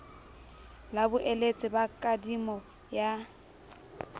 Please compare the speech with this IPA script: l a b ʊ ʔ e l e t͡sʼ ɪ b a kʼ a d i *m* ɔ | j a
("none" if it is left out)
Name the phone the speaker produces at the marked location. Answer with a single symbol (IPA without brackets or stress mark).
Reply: m